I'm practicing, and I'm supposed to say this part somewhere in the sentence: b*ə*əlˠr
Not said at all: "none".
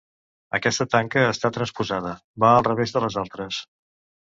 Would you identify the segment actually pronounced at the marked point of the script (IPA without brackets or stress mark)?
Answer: a